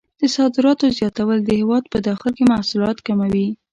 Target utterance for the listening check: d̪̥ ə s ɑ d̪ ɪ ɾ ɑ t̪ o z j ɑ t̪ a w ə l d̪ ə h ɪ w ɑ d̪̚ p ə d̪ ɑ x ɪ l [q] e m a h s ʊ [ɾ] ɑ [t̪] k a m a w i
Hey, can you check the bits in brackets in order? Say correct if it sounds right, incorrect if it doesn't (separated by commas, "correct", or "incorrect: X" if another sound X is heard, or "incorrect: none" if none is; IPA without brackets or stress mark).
incorrect: k, incorrect: l, correct